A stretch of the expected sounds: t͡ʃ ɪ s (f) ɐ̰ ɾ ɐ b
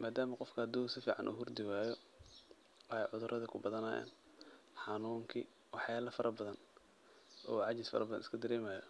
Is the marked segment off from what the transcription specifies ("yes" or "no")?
no